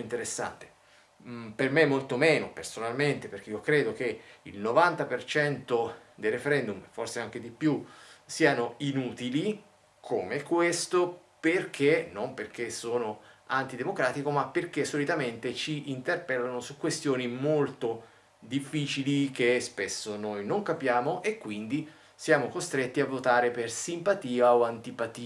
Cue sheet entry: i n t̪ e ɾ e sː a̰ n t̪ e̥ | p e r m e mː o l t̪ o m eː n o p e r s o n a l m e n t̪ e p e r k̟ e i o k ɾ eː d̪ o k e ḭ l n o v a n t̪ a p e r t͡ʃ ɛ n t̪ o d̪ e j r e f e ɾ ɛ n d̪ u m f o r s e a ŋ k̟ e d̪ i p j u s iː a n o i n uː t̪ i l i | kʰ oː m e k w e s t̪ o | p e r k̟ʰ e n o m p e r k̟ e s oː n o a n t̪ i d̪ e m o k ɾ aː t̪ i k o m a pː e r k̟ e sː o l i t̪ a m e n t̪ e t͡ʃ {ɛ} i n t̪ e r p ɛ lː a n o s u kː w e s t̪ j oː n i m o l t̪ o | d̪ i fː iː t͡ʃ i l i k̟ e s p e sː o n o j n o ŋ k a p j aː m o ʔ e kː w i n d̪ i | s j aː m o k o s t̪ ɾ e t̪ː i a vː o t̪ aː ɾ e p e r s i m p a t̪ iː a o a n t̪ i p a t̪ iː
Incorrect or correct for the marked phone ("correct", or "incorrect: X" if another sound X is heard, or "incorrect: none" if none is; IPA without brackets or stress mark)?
incorrect: i